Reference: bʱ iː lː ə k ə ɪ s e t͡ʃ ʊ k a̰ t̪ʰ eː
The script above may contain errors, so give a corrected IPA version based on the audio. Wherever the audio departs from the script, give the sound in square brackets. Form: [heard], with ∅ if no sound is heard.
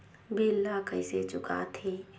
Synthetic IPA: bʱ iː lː [a] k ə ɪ s e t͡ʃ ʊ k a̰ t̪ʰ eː

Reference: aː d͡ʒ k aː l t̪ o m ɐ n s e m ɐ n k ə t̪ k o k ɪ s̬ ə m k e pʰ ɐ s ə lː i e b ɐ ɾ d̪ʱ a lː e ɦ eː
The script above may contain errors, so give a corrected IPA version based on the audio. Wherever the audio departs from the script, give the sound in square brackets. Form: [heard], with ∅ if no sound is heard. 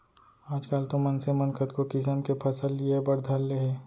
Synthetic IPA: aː d͡ʒ k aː l t̪ o m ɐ n s e m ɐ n k ə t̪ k o k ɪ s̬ ə m k e pʰ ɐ s ə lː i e b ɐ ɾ d̪ʱ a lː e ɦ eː

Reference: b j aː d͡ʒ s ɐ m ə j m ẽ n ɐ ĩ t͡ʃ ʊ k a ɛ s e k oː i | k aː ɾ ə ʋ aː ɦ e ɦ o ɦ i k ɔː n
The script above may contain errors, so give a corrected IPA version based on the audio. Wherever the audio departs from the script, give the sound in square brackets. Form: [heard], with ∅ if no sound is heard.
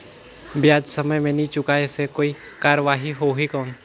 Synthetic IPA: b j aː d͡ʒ s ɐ m ə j m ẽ n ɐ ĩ t͡ʃ ʊ k a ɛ s e k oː i | k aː ɾ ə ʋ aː ɦ [i] ɦ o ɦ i k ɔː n

